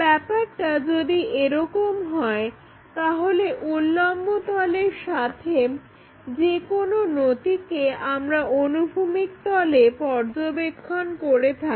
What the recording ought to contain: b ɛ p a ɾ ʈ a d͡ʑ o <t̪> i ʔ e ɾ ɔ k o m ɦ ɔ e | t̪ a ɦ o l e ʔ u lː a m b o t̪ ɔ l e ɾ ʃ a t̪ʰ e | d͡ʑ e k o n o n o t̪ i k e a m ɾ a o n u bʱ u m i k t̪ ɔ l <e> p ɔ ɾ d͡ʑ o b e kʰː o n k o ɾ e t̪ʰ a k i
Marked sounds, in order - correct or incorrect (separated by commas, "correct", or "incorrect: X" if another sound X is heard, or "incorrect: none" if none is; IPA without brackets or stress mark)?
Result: incorrect: d̪, correct